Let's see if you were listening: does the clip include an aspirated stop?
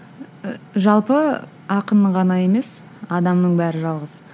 no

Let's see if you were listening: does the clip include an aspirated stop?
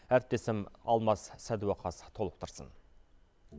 yes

